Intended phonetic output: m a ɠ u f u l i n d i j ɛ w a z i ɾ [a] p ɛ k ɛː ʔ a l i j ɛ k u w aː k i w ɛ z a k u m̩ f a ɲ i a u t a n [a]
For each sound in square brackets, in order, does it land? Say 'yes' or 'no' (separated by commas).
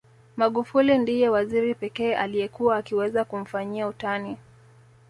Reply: no, no